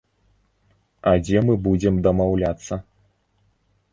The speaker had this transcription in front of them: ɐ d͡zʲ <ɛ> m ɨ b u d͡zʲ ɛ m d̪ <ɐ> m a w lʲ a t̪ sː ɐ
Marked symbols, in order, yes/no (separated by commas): yes, yes